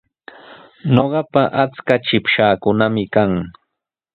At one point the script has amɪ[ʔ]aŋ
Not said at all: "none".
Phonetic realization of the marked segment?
k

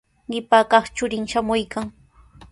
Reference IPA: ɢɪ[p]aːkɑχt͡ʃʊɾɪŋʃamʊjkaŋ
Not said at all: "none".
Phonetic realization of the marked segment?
p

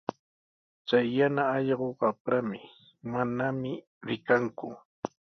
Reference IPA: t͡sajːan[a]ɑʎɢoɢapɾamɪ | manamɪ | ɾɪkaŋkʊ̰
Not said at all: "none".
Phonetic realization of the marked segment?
a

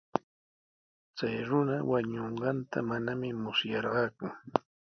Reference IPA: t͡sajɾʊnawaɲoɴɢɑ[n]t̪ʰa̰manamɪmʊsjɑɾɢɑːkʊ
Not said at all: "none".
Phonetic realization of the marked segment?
n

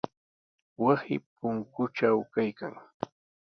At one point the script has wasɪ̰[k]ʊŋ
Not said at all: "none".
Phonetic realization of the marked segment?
p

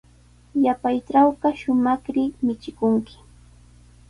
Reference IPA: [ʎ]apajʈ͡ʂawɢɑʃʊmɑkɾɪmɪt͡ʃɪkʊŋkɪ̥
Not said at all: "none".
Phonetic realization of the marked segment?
j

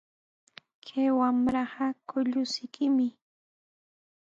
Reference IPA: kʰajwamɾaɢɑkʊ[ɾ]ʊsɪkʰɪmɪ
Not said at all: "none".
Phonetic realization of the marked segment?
ʎ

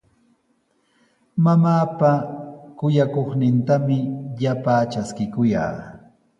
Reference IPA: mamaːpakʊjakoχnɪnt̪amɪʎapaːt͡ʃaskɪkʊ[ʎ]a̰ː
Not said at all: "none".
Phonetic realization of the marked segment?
j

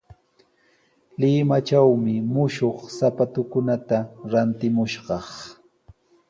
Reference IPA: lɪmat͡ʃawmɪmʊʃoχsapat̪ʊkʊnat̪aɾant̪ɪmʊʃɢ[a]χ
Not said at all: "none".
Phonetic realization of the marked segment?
ɑ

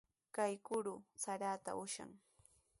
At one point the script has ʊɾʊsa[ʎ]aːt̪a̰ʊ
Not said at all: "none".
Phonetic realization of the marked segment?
ɾ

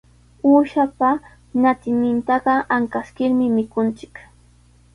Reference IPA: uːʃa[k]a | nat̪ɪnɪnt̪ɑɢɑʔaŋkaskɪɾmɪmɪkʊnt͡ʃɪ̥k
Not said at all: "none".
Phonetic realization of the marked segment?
p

